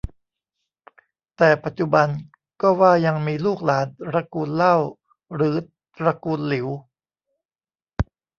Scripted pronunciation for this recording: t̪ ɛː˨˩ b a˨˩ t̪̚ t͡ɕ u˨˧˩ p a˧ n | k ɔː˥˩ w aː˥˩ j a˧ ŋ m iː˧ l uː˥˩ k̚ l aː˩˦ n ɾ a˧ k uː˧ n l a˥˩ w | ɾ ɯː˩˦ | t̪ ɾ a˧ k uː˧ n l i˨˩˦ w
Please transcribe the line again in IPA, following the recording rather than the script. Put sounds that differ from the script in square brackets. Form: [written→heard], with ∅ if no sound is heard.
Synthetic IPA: t̪ ɛː˨˩ [b→p] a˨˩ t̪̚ t͡ɕ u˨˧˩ [p→b] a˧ n | k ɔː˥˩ w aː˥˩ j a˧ ŋ m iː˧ l uː˥˩ k̚ l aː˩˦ n ɾ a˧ k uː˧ n l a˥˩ w | ɾ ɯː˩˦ | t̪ ɾ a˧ k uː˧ n l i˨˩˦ w